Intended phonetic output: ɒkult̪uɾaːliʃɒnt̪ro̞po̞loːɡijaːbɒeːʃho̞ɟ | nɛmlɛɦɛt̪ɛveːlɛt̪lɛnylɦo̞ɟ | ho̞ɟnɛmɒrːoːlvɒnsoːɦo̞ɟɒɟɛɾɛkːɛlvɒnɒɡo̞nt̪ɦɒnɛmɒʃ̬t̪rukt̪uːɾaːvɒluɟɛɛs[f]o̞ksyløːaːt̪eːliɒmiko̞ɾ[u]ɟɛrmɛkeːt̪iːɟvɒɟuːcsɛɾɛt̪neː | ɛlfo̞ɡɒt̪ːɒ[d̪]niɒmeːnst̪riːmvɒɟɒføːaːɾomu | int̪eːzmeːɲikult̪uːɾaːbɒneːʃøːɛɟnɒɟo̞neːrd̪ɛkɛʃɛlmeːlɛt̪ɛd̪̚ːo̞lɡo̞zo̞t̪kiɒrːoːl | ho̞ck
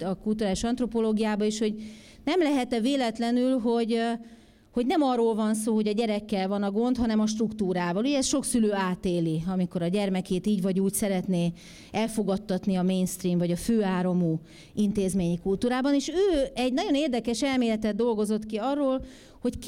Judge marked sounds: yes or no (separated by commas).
no, no, no